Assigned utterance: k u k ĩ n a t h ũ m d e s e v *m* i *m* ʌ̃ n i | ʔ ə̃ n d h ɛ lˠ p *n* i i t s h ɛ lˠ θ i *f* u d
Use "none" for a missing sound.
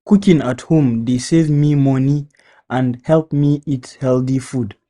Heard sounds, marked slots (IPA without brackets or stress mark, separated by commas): m, m, m, f